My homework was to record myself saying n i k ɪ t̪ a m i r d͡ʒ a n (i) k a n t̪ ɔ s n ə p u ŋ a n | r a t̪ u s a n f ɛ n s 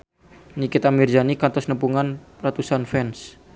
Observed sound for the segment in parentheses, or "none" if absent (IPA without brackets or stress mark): i